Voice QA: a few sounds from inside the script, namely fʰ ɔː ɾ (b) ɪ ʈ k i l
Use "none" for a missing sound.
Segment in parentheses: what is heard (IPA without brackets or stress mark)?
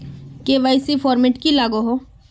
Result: m